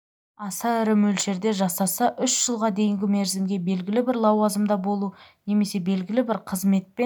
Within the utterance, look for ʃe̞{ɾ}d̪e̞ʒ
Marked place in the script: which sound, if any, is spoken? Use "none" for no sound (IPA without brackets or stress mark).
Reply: ɾ